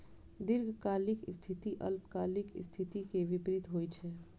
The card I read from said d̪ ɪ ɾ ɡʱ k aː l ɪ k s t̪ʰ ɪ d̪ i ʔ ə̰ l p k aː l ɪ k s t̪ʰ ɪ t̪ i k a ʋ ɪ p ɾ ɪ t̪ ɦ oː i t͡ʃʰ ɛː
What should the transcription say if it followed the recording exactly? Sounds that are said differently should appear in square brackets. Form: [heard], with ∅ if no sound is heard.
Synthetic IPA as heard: d̪ ɪ ɾ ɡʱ k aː l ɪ k s t̪ʰ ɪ [t̪] i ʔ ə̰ l p k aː l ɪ k s t̪ʰ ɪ t̪ i k [e] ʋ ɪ p ɾ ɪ t̪ ɦ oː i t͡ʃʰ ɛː